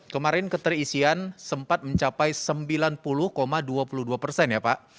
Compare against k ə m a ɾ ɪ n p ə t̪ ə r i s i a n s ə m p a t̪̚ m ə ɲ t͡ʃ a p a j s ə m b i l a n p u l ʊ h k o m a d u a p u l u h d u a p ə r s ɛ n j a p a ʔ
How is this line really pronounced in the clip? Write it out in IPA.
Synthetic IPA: k ə m a ɾ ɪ n k ə t̪ ə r i s i a n s ə m p a t̪̚ m ə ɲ t͡ʃ a p a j s ə m b i l a n p u l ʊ h k o m a d u a p u l u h d u a p ə r s ɛ n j a p a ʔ